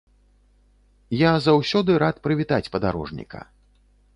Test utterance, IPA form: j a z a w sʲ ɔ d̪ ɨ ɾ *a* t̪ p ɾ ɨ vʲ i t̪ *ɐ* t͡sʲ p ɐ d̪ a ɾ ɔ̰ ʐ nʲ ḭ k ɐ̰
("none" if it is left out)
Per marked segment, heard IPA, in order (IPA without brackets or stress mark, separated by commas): a, a